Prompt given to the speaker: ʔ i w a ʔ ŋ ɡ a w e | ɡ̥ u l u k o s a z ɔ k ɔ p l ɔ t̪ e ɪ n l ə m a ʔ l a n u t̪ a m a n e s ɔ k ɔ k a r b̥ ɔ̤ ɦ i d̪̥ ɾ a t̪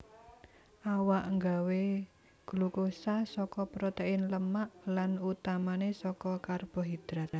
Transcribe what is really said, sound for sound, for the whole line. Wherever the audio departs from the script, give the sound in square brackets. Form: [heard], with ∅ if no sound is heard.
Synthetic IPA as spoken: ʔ [a] w a ʔ ŋ ɡ a w e | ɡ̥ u l u k o s a [s] ɔ k ɔ p [ɾ] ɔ t̪ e ɪ n l ə m a ʔ l a n u t̪ a m a n e s ɔ k ɔ k a r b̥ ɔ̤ ɦ i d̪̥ ɾ a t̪